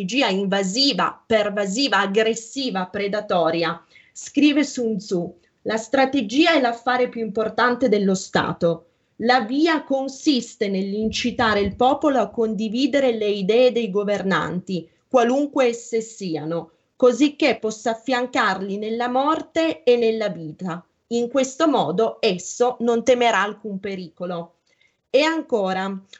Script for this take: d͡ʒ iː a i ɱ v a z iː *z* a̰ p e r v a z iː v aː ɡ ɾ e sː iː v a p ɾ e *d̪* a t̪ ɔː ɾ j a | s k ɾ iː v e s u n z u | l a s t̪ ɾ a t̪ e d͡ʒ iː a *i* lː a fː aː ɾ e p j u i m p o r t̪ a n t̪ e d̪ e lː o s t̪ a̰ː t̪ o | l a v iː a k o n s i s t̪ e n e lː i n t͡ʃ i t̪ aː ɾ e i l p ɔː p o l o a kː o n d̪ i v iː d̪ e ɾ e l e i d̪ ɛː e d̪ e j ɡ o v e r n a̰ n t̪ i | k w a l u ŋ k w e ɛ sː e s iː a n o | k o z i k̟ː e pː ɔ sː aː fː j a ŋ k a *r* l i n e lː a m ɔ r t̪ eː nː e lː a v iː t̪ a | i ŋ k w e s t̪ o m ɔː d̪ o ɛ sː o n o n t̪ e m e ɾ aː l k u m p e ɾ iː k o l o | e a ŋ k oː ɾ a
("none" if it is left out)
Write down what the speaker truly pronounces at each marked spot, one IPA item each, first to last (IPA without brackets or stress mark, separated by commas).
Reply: v, d̪, ɛ, r